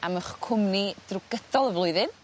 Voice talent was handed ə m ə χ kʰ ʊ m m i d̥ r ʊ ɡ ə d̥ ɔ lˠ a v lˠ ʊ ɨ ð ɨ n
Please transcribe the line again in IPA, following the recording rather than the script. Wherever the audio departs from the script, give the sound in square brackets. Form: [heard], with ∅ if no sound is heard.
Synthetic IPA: [a] m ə χ kʰ ʊ m [n] i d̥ r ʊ ɡ ə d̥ ɔ lˠ [ə] v lˠ ʊ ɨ ð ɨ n